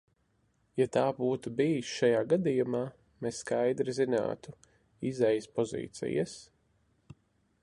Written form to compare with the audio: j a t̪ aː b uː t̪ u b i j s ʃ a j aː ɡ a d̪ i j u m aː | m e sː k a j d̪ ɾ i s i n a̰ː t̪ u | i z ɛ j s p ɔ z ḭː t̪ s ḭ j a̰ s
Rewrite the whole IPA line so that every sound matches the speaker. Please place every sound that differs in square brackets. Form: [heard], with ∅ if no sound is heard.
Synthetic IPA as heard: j a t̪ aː b uː t̪ u b i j s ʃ a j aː ɡ a d̪ i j u m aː | m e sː k a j d̪ ɾ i [z] i n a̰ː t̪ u | i z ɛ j s p ɔ z ḭː t̪ s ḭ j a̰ s